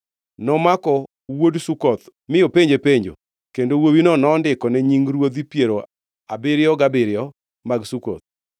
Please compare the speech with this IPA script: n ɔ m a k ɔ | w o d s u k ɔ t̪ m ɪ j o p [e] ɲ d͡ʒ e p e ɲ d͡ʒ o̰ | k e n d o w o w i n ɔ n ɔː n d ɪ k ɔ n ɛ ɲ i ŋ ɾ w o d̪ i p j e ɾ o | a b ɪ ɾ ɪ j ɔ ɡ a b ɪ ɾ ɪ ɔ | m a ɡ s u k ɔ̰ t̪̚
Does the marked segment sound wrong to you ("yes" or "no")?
no